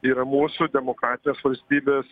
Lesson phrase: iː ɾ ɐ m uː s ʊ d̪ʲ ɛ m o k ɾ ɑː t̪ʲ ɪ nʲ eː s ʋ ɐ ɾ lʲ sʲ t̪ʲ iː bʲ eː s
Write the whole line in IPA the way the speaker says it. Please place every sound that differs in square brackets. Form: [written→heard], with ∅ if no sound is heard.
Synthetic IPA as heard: iː ɾ ɐ m uː s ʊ d̪ʲ ɛ m o k ɾ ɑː t̪ʲ ɪ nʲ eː s ʋ ɐ [ɾ→∅] lʲ sʲ t̪ʲ iː bʲ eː s